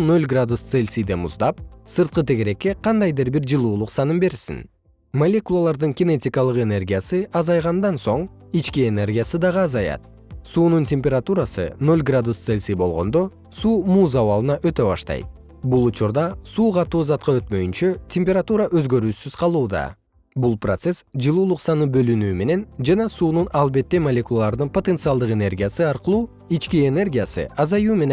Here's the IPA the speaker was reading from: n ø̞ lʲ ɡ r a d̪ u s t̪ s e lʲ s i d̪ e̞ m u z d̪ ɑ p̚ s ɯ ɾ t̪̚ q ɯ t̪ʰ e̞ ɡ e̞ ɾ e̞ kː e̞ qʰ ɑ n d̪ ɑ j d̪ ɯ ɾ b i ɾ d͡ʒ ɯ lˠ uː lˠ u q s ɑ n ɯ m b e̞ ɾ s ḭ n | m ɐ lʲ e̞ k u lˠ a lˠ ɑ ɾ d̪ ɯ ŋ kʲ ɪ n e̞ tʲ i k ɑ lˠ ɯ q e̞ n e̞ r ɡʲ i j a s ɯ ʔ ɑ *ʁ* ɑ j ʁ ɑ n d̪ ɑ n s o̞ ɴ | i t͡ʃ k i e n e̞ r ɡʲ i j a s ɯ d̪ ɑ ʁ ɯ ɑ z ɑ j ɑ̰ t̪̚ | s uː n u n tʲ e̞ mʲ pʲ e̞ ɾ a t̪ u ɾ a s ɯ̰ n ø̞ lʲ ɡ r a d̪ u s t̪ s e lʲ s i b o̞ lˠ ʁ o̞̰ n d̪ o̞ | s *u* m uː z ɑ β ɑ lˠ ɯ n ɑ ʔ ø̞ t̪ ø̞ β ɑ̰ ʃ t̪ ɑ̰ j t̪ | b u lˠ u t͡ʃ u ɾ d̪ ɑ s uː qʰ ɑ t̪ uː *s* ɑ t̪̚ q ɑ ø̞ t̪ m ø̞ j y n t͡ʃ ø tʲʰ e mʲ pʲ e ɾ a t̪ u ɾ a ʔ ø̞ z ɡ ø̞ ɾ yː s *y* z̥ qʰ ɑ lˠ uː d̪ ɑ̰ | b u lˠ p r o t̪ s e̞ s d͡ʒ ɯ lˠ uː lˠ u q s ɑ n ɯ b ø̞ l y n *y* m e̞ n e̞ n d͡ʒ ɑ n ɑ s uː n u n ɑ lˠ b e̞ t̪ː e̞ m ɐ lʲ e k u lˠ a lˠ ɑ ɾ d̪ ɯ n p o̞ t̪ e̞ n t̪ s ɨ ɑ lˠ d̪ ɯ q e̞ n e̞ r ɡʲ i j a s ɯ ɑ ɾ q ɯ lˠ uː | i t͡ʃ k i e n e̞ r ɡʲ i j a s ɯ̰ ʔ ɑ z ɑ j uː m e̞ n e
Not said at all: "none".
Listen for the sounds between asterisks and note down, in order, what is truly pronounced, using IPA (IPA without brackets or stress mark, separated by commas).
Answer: z, uː, z, y, yː